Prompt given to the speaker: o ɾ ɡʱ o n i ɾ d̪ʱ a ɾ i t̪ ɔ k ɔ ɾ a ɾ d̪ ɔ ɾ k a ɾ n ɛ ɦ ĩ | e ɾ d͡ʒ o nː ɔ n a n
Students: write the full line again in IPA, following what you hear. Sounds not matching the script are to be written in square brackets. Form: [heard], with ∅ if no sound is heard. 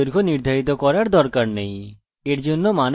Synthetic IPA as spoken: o ɾ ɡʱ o n i ɾ d̪ʱ a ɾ i t̪ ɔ k ɔ ɾ a ɾ d̪ ɔ ɾ k a ɾ n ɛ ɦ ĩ | e ɾ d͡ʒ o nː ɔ [m] a n